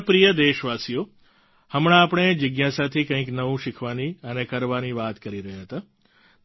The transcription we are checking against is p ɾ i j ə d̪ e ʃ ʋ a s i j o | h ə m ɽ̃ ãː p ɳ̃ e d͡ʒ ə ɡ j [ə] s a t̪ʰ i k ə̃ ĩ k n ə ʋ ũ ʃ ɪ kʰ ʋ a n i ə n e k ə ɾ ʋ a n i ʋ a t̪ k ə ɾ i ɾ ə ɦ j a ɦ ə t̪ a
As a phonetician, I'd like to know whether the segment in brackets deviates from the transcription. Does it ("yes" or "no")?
yes